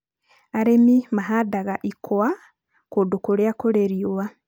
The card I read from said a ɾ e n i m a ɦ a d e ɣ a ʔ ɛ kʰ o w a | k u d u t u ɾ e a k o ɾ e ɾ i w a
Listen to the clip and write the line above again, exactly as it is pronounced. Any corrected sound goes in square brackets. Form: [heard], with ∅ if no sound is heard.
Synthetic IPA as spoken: a ɾ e [m] i m a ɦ a d [a] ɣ a ʔ [i] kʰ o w a | k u d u [k] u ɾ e a k o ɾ e ɾ i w a